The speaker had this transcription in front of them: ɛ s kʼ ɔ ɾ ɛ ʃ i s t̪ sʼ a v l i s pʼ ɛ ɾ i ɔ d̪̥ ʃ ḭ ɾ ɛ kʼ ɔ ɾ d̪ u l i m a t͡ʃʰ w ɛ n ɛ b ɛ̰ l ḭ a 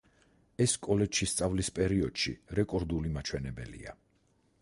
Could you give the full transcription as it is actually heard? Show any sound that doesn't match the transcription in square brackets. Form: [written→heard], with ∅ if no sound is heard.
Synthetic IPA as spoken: ɛ s kʼ ɔ [ɾ→l] ɛ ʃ i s t̪ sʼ a v l i s pʼ ɛ ɾ i ɔ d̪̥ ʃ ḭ ɾ ɛ kʼ ɔ ɾ d̪ u l i m a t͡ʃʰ w ɛ n ɛ b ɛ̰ l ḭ a